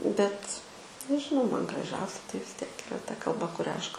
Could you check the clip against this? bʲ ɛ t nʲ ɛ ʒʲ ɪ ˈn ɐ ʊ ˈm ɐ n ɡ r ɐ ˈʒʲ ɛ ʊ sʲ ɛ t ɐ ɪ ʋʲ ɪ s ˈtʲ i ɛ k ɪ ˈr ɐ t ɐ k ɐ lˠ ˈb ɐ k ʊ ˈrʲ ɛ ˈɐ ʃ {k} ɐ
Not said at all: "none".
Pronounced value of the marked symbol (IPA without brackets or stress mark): k